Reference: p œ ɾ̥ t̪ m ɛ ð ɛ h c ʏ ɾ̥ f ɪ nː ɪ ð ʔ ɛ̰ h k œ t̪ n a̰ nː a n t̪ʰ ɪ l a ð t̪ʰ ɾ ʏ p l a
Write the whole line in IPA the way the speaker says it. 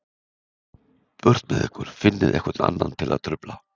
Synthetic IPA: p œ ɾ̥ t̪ m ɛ ð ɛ h k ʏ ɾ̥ f ɪ nː ɪ ð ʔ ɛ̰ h k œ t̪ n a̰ nː a n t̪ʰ ɪ l a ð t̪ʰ ɾ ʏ p l a